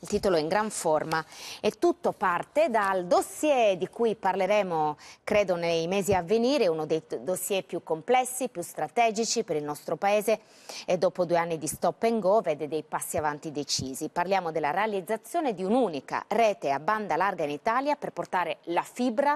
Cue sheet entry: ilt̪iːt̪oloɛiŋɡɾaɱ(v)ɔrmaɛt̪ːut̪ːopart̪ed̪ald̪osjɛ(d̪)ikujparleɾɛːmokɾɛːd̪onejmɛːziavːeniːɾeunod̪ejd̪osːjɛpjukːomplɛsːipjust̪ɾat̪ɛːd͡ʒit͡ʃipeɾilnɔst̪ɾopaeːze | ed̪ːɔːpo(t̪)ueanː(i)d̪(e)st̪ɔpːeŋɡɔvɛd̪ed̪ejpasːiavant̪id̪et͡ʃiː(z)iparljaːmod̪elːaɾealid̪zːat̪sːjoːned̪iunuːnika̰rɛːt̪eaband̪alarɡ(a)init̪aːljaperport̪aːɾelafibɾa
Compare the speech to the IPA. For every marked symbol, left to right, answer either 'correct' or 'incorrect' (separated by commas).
incorrect, correct, incorrect, correct, incorrect, correct, correct